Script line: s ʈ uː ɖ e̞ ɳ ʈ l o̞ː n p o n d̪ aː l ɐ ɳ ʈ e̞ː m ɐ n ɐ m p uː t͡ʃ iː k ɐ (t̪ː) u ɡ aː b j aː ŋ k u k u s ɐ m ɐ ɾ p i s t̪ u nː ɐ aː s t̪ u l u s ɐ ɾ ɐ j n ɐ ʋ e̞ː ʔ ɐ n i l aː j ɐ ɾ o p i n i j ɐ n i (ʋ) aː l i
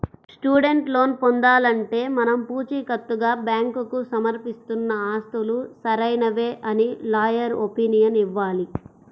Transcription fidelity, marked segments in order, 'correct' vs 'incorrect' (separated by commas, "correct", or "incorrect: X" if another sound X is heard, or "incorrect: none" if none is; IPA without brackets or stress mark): correct, incorrect: ʋː